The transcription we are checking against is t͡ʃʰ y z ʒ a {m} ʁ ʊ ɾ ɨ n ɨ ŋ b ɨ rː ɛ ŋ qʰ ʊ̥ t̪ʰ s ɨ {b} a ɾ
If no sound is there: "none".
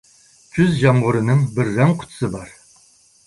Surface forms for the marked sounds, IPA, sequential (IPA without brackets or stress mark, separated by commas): m, b